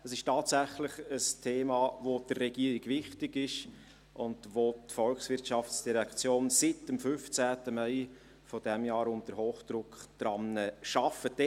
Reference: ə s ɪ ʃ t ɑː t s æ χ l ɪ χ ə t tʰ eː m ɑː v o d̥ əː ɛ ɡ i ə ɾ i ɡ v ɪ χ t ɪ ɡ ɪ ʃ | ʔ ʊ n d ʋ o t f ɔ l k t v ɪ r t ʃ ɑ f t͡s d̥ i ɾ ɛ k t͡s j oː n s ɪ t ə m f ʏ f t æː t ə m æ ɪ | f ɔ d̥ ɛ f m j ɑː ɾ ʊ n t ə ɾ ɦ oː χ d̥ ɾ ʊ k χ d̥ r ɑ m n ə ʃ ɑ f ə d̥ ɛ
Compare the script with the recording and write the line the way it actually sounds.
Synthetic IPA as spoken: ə s ɪ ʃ t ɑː t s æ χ l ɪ χ ə s tʰ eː m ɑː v o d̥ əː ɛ ɡ i ə ɾ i ɡ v ɪ χ t ɪ ɡ ɪ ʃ | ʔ ʊ n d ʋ o t f ɔ l k s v ɪ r t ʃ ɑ f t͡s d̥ i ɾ ɛ k t͡s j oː n s ɪ t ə m f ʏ f t͡s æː t ə m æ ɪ | f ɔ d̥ ɛ m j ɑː ɾ ʊ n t ə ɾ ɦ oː χ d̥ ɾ ʊ k χ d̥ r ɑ m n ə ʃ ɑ f ə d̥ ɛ